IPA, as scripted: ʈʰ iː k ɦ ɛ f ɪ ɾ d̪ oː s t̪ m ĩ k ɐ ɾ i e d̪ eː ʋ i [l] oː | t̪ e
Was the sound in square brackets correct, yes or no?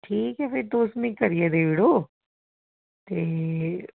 no